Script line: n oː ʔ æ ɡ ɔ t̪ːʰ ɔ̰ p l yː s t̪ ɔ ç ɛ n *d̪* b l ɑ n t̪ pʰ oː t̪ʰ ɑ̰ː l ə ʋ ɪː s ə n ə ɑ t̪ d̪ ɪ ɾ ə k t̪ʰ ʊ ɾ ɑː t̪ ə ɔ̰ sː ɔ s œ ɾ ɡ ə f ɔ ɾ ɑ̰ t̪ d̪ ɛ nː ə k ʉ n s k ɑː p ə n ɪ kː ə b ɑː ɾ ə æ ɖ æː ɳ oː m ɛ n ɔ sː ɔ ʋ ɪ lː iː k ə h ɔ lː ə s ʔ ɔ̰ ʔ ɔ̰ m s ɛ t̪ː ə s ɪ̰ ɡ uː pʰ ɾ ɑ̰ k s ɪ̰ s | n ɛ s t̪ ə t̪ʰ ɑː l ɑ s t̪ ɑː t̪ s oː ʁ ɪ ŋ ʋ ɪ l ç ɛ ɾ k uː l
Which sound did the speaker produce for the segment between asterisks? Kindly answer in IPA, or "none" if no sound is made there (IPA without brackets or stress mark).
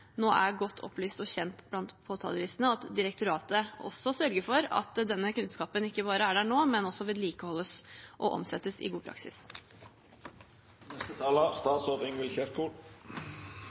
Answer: t̪